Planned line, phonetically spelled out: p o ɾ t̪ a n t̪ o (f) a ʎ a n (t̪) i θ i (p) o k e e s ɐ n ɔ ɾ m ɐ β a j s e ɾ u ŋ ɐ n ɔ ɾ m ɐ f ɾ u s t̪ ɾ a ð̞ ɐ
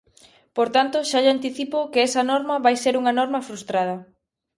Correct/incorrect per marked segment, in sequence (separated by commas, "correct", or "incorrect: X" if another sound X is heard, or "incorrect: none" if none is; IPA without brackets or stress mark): incorrect: ʃ, correct, correct